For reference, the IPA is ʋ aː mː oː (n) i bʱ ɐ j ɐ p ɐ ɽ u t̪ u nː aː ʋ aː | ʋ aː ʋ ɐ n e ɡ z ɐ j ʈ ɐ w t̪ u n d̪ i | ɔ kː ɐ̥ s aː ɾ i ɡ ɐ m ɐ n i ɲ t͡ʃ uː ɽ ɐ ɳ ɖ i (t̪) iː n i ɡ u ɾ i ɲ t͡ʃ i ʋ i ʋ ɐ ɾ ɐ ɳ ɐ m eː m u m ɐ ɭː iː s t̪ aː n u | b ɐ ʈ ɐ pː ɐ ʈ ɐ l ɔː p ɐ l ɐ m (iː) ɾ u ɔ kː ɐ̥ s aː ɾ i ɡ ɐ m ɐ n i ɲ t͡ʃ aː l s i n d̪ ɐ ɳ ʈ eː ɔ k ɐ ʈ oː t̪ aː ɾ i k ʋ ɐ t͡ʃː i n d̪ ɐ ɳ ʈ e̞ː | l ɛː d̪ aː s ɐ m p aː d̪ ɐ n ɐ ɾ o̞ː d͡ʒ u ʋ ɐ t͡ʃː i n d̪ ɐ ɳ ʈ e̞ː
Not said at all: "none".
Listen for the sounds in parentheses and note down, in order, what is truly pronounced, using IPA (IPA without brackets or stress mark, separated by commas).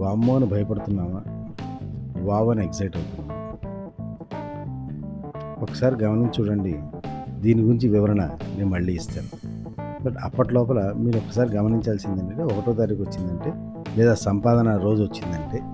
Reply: n, d̪, iː